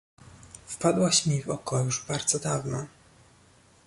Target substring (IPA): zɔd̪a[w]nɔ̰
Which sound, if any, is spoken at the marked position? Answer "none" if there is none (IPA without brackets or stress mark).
v